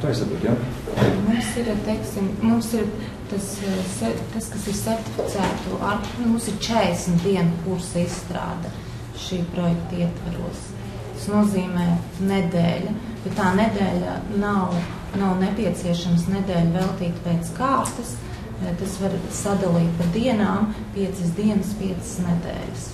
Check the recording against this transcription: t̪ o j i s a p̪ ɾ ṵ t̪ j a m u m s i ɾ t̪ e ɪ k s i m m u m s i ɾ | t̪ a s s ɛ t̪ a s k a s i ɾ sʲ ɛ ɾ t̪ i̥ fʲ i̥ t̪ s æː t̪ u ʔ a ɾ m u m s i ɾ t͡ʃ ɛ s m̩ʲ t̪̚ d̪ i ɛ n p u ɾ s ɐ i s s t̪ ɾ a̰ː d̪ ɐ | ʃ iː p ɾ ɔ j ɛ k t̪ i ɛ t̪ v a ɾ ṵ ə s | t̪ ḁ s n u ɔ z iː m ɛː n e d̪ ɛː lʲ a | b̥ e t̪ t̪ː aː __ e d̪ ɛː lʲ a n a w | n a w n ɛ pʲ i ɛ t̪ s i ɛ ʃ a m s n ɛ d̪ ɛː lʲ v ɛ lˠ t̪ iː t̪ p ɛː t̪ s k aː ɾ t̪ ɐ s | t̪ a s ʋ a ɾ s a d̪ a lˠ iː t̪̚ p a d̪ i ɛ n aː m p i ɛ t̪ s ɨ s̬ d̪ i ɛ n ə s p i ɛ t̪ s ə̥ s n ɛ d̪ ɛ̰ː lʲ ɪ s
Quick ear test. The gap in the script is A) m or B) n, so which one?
B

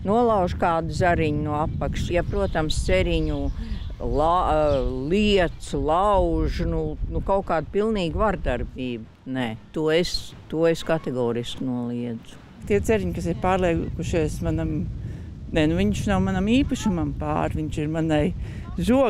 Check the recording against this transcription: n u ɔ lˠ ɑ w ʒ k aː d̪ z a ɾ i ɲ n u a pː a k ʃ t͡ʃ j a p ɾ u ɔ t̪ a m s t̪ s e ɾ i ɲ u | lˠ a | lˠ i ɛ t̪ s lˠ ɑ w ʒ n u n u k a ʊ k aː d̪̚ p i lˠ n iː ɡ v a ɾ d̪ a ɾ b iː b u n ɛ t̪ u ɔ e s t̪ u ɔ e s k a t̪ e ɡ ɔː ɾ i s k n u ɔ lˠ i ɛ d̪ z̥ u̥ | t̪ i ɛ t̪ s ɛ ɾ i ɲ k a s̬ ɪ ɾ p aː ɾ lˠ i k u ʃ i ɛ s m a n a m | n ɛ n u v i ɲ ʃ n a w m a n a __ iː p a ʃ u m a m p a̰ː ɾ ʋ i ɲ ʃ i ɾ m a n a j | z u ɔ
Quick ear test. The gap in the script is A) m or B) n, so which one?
A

